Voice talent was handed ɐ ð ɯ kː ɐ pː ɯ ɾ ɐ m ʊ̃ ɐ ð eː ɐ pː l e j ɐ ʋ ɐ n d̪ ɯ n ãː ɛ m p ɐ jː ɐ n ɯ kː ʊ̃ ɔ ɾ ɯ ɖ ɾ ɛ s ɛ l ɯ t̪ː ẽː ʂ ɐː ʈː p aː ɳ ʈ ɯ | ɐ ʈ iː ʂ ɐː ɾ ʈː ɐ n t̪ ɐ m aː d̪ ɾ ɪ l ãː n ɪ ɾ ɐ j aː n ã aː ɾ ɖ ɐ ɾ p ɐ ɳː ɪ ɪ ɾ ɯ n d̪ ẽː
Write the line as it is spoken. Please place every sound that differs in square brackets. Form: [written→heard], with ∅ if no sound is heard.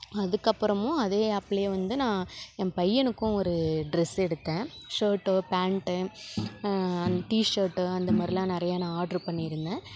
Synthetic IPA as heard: ɐ ð ɯ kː ɐ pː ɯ ɾ ɐ m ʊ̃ ɐ ð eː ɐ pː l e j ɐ ʋ ɐ n d̪ ɯ n ãː ɛ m p ɐ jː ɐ n ɯ kː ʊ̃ ɔ ɾ ɯ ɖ ɾ ɛ s ɛ [l→ɽ] ɯ t̪ː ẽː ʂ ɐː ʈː p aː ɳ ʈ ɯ | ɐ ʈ iː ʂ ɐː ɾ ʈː ɐ n [t̪→d̪] ɐ m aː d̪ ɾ ɪ l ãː n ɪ ɾ ɐ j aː n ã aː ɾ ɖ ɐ ɾ p ɐ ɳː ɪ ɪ ɾ ɯ n d̪ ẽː

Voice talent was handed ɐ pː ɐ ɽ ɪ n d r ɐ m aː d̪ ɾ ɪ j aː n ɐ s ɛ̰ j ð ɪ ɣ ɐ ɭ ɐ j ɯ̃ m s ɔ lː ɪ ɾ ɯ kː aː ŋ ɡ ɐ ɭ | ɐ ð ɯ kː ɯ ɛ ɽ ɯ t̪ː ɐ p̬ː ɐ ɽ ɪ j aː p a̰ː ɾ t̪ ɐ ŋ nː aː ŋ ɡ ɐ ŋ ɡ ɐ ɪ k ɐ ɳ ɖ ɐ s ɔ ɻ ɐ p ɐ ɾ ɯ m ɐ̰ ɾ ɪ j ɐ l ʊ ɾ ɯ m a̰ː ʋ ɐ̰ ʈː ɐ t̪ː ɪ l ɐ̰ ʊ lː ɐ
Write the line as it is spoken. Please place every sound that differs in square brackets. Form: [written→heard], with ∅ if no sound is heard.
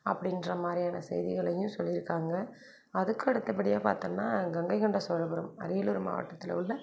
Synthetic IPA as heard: ɐ pː ɐ ɽ ɪ n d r ɐ m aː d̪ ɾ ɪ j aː n ɐ s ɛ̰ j ð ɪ ɣ ɐ ɭ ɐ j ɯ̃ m s ɔ lː ɪ ɾ ɯ kː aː ŋ ɡ ɐ [ɭ→∅] | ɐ ð ɯ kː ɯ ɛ ɽ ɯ t̪ː ɐ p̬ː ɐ ɽ ɪ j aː p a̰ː ɾ t̪ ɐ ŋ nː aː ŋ ɡ ɐ ŋ ɡ ɐ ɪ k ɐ ɳ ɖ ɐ s ɔ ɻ ɐ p ɐ ɾ ɯ m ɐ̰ ɾ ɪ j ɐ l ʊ ɾ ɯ m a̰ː ʋ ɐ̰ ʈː ɐ t̪ː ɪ l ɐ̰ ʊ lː ɐ

